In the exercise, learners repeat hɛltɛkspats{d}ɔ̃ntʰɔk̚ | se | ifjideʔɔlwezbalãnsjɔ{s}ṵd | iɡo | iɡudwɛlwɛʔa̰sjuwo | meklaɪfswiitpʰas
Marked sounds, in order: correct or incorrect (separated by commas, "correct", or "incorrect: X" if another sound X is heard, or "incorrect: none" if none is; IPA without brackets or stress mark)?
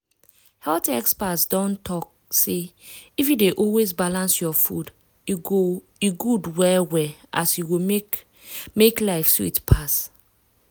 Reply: correct, incorrect: f